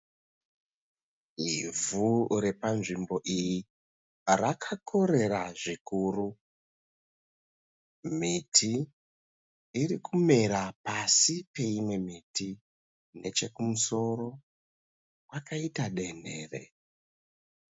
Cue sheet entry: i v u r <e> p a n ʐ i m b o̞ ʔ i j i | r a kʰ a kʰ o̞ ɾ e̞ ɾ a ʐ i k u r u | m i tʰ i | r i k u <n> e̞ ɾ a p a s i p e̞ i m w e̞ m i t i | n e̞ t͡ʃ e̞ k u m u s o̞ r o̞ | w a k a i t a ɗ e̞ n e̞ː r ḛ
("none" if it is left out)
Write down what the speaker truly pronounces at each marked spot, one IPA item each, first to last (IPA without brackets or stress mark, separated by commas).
e, m